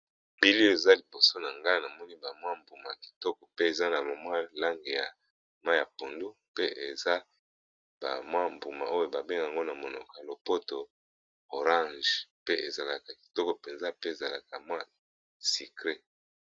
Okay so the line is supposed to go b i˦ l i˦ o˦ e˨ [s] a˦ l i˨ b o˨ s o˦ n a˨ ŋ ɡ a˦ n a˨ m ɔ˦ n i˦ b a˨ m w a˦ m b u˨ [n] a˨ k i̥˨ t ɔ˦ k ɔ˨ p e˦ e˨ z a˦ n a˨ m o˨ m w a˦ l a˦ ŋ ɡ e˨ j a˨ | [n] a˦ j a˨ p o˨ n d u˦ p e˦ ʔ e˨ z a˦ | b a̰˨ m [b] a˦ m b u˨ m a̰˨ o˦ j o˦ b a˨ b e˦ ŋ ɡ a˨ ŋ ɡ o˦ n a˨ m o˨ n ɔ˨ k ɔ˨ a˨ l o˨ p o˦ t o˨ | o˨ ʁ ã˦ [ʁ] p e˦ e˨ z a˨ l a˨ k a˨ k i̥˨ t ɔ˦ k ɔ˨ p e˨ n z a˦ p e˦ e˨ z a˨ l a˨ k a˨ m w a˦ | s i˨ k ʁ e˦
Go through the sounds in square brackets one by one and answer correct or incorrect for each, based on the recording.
incorrect, incorrect, incorrect, incorrect, incorrect

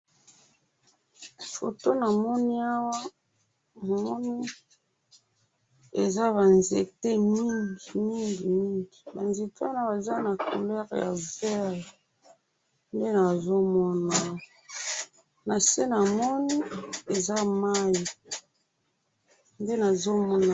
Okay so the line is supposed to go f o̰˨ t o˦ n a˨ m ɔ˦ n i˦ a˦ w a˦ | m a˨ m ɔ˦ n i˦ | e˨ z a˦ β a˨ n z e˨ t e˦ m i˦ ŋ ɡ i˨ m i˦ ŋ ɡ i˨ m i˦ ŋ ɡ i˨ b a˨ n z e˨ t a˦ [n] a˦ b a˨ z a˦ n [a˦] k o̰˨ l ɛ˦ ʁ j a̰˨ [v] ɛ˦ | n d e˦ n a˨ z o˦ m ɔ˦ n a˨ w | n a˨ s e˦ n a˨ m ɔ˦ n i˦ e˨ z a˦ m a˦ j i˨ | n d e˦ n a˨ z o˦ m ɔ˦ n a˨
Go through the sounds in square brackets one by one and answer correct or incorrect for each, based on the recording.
correct, incorrect, correct

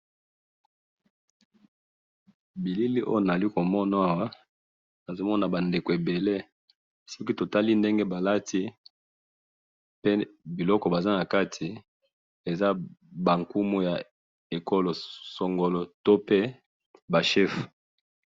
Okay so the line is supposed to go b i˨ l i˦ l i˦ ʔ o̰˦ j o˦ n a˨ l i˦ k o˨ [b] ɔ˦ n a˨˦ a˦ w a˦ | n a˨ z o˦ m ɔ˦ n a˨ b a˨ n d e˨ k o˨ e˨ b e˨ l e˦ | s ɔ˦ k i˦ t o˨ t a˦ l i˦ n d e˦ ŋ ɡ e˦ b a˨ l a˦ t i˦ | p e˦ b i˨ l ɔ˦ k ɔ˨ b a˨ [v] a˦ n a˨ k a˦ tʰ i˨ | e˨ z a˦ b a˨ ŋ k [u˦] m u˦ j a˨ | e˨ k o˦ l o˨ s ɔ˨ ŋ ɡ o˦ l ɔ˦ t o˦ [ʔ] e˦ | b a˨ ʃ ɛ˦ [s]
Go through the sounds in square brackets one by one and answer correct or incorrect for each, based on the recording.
incorrect, incorrect, correct, incorrect, incorrect

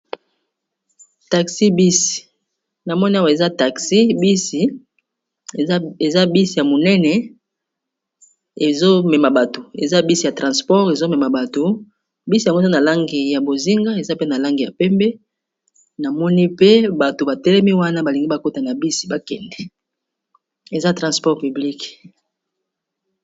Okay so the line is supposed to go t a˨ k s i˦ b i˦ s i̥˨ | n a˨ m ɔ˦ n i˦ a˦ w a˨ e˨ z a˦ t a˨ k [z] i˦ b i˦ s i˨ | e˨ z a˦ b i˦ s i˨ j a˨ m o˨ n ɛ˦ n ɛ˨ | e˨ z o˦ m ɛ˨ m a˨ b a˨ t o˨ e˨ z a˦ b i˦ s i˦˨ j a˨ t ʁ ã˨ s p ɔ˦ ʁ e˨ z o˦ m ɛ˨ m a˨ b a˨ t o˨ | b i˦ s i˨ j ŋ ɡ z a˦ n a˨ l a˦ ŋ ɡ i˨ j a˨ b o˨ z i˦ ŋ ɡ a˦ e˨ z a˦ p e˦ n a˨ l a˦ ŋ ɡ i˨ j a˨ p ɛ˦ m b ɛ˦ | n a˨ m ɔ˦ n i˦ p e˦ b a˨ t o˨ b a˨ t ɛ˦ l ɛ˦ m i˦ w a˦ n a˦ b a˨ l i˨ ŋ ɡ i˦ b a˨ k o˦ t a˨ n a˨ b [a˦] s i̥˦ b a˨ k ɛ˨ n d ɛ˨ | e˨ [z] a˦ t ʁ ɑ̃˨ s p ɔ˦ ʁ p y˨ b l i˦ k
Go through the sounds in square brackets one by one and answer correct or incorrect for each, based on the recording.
incorrect, incorrect, correct

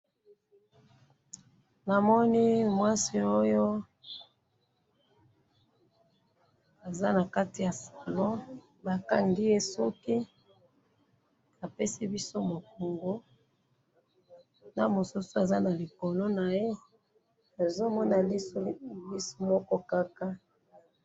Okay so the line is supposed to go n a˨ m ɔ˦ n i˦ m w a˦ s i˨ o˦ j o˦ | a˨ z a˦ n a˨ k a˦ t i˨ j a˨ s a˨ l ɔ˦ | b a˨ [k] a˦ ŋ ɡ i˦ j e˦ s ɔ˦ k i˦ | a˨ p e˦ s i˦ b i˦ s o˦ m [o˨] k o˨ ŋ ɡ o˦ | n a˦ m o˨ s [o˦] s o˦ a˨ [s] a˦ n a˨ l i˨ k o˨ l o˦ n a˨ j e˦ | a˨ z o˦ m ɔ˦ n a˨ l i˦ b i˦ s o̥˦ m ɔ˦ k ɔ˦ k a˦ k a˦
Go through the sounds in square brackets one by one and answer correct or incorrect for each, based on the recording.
correct, correct, incorrect, incorrect

